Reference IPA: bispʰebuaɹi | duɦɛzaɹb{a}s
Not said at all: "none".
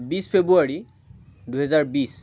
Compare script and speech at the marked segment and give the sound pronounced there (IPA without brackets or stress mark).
i